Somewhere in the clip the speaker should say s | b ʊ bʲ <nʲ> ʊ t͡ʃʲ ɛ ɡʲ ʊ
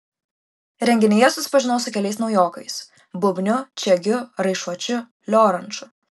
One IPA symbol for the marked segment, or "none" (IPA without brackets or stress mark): nʲ